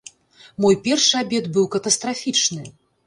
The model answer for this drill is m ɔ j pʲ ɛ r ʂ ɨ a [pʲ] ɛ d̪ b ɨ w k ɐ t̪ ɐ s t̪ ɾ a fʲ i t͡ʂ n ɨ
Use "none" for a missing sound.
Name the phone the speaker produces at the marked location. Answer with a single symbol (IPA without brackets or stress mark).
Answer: bʲ